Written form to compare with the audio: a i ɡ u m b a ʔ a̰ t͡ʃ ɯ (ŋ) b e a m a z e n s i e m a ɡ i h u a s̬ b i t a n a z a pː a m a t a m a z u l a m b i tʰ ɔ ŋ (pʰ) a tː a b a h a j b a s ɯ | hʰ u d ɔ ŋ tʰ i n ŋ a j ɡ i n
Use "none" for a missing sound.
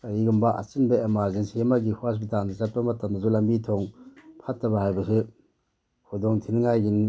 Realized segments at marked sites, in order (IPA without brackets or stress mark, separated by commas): n, pʰ